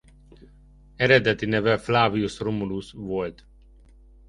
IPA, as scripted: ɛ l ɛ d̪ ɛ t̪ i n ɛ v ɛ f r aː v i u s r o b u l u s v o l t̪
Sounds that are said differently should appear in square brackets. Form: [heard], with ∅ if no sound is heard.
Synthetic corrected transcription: ɛ [ɾ] ɛ d̪ ɛ t̪ i n ɛ v ɛ f [l] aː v i u s r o [m] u l u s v o l t̪